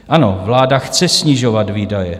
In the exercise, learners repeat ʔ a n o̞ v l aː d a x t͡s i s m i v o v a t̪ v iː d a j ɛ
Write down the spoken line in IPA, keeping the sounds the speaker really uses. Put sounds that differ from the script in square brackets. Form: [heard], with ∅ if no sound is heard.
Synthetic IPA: ʔ a n o̞ v l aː d a x t͡s [ɛ] s [ɲ] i [ʒ] o v a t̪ v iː d a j ɛ